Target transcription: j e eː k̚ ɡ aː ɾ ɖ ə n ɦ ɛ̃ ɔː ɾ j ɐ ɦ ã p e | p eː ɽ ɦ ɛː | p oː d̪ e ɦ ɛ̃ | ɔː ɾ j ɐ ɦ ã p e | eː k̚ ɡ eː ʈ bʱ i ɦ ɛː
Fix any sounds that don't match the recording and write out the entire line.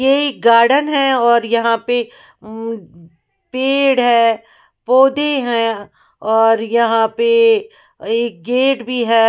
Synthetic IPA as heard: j e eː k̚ ɡ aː ɾ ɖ ə n ɦ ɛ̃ ɔː ɾ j ɐ ɦ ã p e | p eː ɽ ɦ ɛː | p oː d̪ e ɦ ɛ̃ | ɔː ɾ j ɐ ɦ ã p e | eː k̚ ɡ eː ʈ bʱ i ɦ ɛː